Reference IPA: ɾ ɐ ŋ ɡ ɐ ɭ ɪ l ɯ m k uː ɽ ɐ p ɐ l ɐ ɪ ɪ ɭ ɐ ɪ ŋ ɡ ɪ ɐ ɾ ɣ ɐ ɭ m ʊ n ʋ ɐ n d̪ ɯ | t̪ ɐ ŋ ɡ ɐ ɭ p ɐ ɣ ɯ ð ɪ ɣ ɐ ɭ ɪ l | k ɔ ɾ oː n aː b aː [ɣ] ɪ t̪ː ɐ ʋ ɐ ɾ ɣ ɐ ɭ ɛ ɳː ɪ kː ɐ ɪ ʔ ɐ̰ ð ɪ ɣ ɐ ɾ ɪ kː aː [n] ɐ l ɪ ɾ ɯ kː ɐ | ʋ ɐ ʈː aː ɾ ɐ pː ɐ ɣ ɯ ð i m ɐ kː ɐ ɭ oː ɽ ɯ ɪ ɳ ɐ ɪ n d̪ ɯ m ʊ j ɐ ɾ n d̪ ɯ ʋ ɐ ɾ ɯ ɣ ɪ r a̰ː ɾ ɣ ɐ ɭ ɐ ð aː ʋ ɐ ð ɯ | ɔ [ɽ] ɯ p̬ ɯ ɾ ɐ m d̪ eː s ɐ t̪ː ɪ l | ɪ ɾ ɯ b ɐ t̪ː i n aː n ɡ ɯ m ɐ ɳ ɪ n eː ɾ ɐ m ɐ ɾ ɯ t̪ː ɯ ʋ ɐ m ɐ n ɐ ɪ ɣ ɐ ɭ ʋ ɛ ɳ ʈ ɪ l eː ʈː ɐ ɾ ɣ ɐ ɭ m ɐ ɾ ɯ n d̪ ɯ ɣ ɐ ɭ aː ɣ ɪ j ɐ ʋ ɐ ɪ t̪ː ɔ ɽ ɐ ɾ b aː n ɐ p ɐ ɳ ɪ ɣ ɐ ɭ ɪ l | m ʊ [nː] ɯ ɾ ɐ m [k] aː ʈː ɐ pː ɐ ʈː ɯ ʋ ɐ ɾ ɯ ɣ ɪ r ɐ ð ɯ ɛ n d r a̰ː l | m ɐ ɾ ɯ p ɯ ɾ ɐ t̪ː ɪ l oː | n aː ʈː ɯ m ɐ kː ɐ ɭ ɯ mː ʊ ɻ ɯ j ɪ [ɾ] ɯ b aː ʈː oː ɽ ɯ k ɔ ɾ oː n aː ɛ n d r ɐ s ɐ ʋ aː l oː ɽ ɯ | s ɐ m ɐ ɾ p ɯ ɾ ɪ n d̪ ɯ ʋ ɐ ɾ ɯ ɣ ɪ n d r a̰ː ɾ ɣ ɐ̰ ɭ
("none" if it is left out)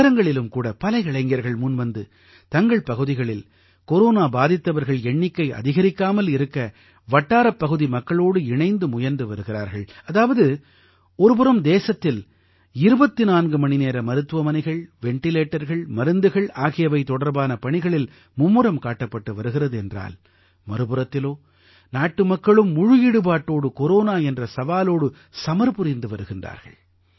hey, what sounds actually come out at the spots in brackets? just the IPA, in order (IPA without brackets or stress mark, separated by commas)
ð, m, ɾ, mː, k, ɽ